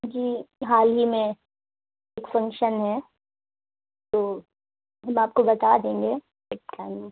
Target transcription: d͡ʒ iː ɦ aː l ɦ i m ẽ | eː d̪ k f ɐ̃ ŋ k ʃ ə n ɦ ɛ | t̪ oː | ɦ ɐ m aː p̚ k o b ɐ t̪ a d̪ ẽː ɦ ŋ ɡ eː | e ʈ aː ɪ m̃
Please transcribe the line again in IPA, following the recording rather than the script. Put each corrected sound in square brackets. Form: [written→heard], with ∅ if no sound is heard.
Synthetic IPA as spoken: d͡ʒ iː ɦ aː l ɦ i m ẽ | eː [d̪→∅] k f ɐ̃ ŋ k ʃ ə n ɦ ɛ | t̪ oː | ɦ ɐ m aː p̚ k o b ɐ t̪ a d̪ ẽː [ɦ→∅] ŋ ɡ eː | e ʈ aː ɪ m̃